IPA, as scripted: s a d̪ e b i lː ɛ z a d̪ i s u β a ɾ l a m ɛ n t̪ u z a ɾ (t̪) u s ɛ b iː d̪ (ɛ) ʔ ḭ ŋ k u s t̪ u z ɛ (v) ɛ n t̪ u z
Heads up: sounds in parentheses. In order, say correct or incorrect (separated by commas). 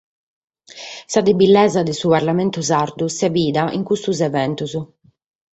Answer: incorrect, incorrect, correct